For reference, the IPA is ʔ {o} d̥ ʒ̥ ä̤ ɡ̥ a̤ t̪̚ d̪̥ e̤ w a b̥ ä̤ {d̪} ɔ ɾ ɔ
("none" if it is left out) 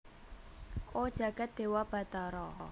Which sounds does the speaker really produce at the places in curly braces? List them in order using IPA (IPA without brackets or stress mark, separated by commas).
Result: o, t̪